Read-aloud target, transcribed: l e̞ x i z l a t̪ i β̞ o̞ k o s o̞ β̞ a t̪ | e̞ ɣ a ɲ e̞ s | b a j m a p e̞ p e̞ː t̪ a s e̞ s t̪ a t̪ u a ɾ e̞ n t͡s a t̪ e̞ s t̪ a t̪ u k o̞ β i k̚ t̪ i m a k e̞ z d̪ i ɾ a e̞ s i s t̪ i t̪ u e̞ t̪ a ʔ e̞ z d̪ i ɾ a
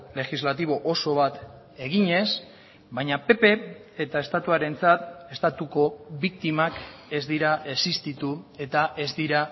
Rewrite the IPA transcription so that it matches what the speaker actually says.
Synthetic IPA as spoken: l e̞ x i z l a t̪ i β̞ o̞ ʔ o s o̞ β̞ a t̪ | e̞ ɣ i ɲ e̞ s | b a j ɲ a p e̞ p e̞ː t̪ a e̞ s t̪ a t̪ u a ɾ e̞ n t͡s a t̪ e̞ s t̪ a t̪ u k o̞ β i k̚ t̪ i m a k e̞ z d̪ i ɾ a e̞ s i s t̪ i t̪ u e̞ t̪ a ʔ e̞ z d̪ i ɾ a